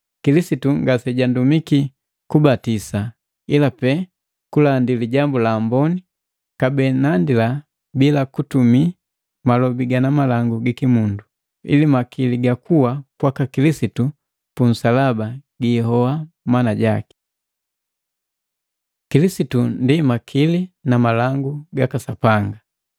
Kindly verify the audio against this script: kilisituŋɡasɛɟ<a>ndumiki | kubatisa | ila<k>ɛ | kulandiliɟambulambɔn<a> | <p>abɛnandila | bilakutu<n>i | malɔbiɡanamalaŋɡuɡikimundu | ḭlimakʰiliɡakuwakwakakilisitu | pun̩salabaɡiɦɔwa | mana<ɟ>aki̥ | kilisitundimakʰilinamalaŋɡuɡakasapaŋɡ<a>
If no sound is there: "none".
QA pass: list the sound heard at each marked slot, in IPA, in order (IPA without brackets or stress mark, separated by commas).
a, p, i, k, m, ɟ, a